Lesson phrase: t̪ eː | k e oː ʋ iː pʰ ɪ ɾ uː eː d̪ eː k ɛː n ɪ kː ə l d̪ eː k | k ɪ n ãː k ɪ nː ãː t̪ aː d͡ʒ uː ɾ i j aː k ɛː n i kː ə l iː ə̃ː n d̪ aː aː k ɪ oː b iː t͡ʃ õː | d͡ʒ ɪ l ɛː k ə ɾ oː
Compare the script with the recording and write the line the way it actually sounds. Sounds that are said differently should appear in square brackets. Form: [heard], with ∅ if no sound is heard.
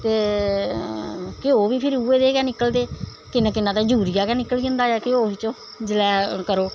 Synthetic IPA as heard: t̪ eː | k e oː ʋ iː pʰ ɪ ɾ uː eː d̪ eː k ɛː n ɪ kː ə l d̪ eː [∅] | k ɪ n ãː k ɪ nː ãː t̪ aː d͡ʒ uː ɾ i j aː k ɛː n [ɪ] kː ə l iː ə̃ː n d̪ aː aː k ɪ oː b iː t͡ʃ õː | d͡ʒ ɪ l ɛː k ə ɾ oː